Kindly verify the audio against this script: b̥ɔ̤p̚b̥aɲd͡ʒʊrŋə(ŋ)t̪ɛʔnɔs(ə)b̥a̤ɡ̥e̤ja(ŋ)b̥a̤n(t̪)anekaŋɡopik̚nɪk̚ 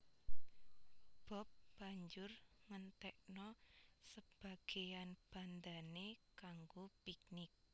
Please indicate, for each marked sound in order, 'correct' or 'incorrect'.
incorrect, correct, incorrect, incorrect

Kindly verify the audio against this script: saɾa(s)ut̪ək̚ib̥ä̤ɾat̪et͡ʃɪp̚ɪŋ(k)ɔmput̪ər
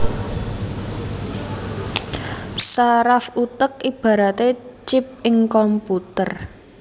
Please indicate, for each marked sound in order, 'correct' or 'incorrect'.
incorrect, correct

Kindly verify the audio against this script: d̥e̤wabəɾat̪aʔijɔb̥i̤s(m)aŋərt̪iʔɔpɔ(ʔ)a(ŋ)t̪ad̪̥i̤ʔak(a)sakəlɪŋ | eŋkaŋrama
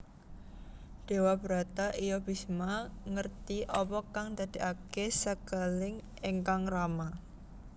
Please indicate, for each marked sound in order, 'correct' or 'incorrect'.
correct, incorrect, correct, incorrect

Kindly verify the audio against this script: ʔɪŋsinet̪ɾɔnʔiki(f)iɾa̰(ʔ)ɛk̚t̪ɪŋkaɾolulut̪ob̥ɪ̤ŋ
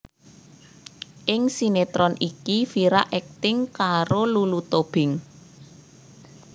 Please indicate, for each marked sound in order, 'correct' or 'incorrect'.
correct, correct

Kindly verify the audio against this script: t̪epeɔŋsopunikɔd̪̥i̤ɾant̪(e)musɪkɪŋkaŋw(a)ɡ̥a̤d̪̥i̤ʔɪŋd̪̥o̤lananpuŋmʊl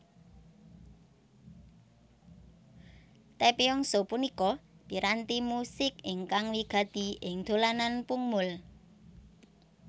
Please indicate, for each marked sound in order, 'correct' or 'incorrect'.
incorrect, incorrect

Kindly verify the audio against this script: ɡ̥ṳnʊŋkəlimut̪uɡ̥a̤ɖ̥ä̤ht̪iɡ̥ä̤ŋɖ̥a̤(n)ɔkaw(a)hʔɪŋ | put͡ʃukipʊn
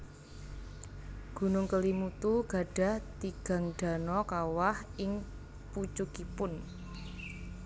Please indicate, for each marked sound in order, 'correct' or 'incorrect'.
correct, correct

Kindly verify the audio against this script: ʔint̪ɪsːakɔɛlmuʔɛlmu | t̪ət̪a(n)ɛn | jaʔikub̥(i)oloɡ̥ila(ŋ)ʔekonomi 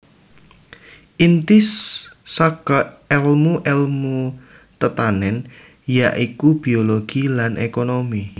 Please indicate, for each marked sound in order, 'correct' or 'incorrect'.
correct, correct, incorrect

